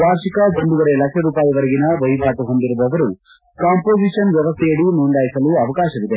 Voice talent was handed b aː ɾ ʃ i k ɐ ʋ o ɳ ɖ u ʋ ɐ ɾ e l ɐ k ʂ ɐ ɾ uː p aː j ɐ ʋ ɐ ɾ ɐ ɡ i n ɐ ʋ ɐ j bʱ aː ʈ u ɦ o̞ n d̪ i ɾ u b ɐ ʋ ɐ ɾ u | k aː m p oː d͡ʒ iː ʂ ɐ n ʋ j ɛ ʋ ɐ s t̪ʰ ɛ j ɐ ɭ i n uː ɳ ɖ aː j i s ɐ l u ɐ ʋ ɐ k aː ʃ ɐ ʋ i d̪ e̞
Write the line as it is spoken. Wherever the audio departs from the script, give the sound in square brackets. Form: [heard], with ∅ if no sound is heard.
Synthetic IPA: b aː ɾ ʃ i k ɐ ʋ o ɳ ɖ u ʋ ɐ ɾ e l ɐ k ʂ ɐ ɾ uː p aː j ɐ ʋ ɐ ɾ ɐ ɡ i n ɐ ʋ ɐ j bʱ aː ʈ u ɦ o̞ n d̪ i ɾ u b ɐ ʋ ɐ ɾ u | k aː m p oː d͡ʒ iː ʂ ɐ n ʋ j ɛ ʋ ɐ s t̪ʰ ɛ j ɐ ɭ i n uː ɳ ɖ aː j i s ɐ l u ɐ ʋ ɐ k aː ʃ ɐ ʋ i d̪ e̞